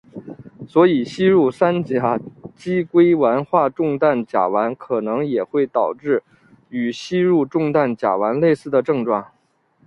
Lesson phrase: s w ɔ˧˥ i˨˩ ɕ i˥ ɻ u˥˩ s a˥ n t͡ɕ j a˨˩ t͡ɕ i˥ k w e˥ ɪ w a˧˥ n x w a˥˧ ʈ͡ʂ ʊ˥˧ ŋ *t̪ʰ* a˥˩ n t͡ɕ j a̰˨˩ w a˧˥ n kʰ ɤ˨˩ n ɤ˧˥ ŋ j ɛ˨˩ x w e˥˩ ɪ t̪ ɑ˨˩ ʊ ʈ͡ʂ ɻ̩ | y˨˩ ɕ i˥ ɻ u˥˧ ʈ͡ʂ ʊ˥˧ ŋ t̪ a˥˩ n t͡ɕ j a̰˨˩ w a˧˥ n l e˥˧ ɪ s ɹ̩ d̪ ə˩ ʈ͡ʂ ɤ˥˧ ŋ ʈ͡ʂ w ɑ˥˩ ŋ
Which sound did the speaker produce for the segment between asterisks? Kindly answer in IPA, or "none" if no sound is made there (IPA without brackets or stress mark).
t̪